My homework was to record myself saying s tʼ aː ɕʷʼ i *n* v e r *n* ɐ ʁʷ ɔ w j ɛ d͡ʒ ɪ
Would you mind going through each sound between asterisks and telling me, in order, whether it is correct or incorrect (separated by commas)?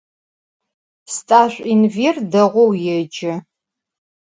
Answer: correct, incorrect